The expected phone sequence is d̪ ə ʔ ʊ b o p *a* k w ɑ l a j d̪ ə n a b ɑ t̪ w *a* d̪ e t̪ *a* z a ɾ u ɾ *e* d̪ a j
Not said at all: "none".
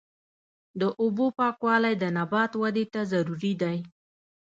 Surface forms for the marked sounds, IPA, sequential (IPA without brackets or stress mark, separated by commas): ɑ, a, a, i